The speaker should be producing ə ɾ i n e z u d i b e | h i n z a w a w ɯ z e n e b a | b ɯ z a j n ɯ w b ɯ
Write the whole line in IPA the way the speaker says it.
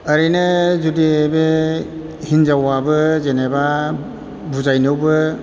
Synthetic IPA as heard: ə ɾ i n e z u d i b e | h i n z a w a b ɯ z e n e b a | b u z a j n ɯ w b ɯ